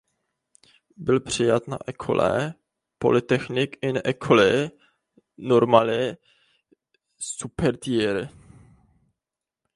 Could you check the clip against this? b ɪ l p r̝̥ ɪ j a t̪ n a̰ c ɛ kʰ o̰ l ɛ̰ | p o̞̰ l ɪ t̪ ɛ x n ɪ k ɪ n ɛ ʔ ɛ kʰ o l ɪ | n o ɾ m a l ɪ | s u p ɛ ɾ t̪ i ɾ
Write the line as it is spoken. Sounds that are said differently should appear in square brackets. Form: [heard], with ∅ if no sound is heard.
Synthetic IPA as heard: b ɪ l p r̝̥ ɪ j a t̪ n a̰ [ʔ] ɛ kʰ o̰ l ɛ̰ | p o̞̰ l ɪ t̪ ɛ x n ɪ k ɪ n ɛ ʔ ɛ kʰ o l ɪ | n o ɾ m a l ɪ | s u p ɛ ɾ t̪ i ɾ